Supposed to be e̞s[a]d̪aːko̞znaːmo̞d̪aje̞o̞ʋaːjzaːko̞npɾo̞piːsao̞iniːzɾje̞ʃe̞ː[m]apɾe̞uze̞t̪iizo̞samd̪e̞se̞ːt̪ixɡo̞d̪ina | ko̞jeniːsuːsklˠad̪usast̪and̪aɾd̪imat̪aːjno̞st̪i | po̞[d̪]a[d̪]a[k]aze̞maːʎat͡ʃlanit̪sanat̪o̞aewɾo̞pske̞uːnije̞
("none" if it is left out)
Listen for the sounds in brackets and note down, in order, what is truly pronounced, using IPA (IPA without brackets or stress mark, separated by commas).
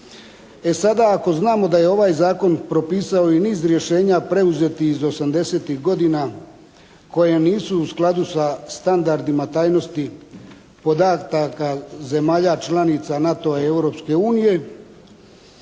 a, ɲ, d̪, t̪, k